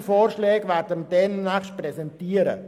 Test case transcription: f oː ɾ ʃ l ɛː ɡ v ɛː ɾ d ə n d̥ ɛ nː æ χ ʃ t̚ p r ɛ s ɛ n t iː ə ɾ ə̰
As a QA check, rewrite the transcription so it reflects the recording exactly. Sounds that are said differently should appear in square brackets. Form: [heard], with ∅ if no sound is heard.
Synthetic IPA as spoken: f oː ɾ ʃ l ɛː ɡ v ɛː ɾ d ə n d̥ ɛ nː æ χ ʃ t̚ p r ɛ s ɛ n t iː ə ɾ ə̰